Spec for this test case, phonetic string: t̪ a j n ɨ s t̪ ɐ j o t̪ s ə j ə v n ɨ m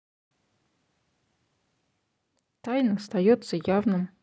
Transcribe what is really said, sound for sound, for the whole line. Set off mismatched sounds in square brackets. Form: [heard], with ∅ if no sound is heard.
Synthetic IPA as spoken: t̪ a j n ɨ s t̪ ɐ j o t̪ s ə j [a] v n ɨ m